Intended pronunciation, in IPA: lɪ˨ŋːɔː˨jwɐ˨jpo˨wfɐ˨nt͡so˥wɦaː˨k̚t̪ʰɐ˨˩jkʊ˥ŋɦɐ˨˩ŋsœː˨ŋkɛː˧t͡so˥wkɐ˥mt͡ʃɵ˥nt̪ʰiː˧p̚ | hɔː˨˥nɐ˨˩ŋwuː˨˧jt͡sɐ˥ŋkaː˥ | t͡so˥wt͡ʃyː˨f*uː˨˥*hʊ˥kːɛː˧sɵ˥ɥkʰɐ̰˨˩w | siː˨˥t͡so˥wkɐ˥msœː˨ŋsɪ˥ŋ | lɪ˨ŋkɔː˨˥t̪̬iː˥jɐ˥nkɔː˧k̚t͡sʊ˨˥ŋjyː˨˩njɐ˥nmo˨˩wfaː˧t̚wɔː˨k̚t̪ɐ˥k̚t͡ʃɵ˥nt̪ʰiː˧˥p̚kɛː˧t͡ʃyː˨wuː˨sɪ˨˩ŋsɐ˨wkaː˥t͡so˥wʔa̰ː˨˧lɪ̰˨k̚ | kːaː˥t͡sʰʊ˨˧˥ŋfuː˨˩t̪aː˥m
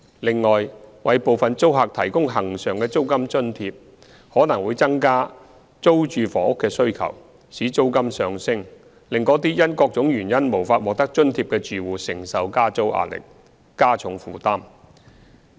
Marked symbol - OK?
no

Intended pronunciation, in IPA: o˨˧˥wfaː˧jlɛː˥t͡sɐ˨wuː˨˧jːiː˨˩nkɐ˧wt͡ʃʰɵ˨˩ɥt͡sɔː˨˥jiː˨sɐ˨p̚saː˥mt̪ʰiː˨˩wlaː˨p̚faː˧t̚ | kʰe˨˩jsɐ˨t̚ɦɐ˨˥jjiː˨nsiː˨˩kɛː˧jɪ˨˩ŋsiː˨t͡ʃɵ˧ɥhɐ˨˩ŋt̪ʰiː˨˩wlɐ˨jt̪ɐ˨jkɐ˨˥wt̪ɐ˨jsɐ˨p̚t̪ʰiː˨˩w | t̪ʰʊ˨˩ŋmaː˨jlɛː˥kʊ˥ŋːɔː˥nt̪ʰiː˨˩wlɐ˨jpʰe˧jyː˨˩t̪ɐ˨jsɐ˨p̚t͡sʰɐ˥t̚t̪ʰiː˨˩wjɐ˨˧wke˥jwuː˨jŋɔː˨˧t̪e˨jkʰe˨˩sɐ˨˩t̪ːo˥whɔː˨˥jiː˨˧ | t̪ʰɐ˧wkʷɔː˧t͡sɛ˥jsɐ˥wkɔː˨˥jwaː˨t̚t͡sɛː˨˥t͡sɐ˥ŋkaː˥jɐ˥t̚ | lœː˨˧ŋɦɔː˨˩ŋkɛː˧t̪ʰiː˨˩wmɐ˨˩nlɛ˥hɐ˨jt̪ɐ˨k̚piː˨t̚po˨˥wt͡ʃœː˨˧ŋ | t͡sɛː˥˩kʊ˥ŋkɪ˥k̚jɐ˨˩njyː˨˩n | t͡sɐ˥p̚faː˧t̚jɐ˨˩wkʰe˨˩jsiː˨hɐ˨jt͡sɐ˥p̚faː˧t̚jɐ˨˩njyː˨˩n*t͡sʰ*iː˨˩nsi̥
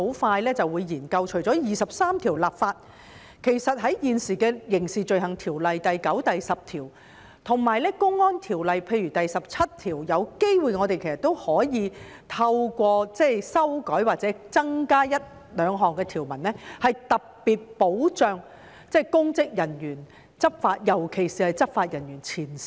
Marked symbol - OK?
yes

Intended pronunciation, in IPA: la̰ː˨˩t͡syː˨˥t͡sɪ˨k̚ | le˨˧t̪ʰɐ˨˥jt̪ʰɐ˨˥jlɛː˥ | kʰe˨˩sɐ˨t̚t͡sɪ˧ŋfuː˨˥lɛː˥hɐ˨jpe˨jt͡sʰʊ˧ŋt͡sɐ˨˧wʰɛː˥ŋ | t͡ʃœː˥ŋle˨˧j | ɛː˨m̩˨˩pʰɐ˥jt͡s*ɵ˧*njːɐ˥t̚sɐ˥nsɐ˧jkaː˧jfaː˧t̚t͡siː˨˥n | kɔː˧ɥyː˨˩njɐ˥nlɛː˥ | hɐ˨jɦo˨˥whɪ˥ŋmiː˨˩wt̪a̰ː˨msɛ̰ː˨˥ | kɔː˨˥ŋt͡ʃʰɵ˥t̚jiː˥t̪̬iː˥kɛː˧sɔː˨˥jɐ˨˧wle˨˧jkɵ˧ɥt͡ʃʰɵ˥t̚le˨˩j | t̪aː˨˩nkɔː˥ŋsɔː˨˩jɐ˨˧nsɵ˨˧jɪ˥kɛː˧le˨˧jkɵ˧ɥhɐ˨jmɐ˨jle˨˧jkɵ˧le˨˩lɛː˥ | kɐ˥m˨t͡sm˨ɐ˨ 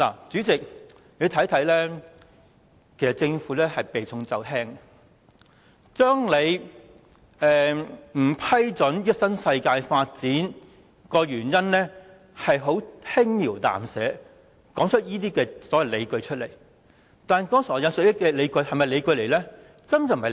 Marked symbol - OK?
no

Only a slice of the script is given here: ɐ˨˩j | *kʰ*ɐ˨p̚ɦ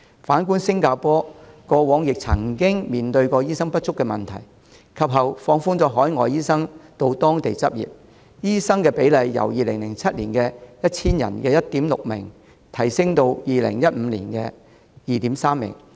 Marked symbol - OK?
yes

